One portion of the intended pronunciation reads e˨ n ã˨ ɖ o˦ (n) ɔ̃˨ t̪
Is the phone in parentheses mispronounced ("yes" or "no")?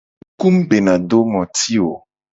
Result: yes